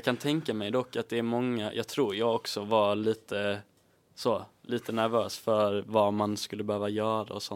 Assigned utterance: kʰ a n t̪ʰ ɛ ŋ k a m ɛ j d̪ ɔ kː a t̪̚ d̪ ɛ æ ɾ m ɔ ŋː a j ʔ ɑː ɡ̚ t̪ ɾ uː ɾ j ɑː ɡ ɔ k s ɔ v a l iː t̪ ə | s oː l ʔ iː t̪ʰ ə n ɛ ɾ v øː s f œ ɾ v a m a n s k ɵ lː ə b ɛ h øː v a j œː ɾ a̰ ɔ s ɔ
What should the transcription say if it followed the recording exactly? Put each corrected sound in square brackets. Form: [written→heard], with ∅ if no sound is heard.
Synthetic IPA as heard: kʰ a n t̪ʰ ɛ ŋ k a m ɛ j d̪ ɔ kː a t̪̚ d̪ ɛ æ ɾ m ɔ ŋː a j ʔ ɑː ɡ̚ [t̪→t̪ʰ] ɾ uː ɾ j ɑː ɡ ɔ k s ɔ v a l iː t̪ ə | s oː l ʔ iː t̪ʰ ə n [ɛ→æ] ɾ v øː s f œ ɾ v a m a n s k ɵ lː ə b ɛ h øː v a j œː ɾ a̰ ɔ s ɔ